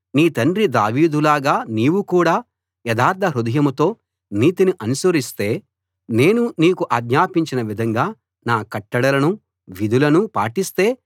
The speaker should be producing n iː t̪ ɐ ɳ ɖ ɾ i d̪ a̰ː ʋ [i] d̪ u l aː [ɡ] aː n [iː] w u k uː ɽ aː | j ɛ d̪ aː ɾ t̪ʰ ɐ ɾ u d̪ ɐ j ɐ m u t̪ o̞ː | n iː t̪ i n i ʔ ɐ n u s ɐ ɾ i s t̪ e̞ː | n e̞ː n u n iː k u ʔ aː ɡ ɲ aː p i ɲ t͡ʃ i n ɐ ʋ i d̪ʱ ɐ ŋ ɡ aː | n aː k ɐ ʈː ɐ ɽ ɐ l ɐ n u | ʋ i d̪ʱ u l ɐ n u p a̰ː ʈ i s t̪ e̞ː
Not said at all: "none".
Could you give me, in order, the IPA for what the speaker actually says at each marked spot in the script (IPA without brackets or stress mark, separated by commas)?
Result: iː, ɡ, iː